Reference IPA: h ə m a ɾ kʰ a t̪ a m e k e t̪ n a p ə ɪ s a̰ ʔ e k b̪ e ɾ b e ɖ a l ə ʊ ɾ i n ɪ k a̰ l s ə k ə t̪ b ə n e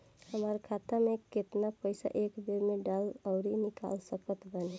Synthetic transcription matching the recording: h ə m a ɾ kʰ a t̪ a m e k e t̪ n a p ə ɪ s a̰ ʔ e k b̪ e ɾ m e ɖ a l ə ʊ ɾ i n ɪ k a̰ l s ə k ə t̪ b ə n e